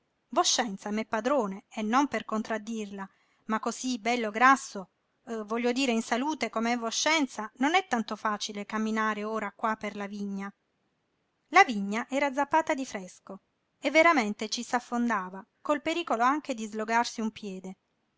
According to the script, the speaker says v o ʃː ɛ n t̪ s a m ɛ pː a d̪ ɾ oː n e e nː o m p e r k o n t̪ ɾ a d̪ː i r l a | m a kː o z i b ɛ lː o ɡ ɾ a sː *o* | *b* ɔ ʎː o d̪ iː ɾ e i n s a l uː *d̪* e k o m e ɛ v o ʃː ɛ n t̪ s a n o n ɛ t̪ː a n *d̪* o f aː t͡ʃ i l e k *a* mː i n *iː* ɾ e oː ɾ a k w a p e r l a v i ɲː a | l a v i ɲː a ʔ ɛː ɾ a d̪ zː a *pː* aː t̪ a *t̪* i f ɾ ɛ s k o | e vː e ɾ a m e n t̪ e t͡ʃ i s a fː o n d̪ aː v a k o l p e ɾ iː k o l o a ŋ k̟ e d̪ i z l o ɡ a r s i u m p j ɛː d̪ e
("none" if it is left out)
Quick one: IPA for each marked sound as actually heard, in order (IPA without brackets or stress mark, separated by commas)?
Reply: o, v, t̪, t̪, a, aː, pː, d̪